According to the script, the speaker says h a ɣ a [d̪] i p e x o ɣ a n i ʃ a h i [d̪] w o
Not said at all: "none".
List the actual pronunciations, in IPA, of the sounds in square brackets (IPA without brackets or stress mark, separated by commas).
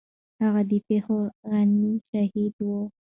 d̪, d̪